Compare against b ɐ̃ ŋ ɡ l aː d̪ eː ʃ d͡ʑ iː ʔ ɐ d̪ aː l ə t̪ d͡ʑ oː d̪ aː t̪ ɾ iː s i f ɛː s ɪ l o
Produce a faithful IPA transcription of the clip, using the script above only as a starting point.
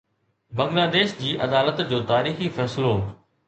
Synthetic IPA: b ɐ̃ ŋ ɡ l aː d̪ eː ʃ d͡ʑ iː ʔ ɐ d̪ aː l ə t̪ d͡ʑ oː t̪ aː ɾ iː x i f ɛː s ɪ l o